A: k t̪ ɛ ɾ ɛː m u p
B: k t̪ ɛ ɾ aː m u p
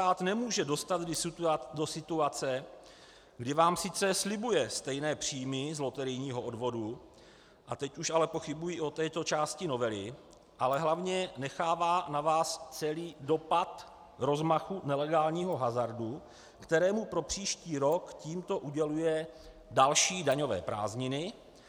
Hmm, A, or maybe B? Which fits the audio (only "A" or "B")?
A